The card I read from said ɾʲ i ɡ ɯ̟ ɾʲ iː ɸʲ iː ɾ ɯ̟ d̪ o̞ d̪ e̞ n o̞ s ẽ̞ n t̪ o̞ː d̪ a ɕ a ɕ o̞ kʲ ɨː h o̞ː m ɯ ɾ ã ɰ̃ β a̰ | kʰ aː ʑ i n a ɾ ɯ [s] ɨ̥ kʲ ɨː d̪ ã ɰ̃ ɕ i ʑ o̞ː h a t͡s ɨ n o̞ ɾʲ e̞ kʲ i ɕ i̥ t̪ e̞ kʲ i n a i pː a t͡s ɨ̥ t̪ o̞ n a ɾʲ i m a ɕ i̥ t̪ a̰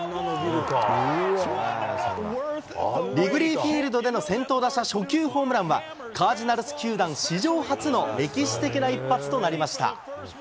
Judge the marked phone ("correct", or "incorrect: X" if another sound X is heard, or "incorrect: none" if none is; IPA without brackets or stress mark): correct